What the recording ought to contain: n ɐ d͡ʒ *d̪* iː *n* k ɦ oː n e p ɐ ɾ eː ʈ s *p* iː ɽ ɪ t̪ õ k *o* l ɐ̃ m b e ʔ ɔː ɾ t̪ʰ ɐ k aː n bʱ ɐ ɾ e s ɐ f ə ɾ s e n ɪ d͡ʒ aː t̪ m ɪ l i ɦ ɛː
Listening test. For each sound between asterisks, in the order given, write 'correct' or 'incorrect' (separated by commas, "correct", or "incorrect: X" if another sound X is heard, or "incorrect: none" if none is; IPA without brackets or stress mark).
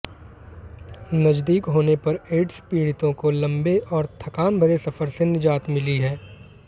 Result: correct, incorrect: none, correct, correct